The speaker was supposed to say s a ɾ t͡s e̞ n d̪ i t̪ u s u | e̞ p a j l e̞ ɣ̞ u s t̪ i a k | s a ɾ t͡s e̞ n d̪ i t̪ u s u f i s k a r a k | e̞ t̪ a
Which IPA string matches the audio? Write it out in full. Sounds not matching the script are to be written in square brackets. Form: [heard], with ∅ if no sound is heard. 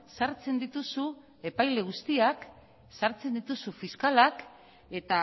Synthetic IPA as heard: s a ɾ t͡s e̞ n d̪ i t̪ u s u | e̞ p a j l e̞ ɣ̞ u s t̪ i a k | s a ɾ t͡s e̞ n d̪ i t̪ u s u f i s k a [l] a k | e̞ t̪ a